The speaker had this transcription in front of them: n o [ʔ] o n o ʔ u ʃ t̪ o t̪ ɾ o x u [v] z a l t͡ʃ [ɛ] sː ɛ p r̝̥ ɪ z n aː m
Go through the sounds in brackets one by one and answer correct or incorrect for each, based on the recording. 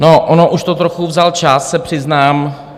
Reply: correct, correct, incorrect

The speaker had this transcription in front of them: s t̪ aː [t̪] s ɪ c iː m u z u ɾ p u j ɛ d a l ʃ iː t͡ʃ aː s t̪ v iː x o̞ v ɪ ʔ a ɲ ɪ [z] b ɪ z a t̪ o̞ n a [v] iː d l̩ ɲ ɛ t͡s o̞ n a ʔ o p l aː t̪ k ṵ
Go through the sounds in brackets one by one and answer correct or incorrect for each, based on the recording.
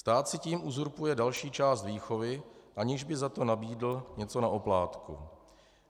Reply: correct, incorrect, incorrect

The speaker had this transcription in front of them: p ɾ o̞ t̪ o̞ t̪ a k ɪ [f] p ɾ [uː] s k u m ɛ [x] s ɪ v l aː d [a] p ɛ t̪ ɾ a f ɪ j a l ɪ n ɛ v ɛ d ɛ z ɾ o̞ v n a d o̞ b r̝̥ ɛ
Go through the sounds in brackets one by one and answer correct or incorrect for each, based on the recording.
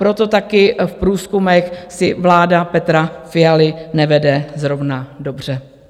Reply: correct, correct, correct, correct

